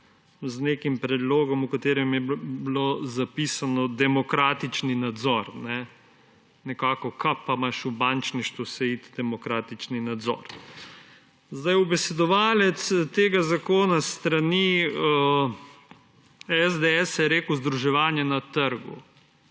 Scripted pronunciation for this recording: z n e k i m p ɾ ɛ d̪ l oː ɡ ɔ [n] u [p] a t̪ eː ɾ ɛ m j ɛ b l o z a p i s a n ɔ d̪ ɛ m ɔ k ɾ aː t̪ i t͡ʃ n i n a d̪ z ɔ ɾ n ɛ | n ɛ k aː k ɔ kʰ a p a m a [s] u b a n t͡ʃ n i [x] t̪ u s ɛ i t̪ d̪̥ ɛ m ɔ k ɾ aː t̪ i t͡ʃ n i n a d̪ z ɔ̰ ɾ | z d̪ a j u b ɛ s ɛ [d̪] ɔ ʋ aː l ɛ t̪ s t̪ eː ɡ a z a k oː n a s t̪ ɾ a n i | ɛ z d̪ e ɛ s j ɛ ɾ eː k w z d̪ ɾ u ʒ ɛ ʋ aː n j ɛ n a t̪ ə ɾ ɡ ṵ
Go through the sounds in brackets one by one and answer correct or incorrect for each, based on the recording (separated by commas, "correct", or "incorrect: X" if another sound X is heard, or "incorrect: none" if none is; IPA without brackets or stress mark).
incorrect: m, incorrect: k, incorrect: ʃ, incorrect: ʃ, correct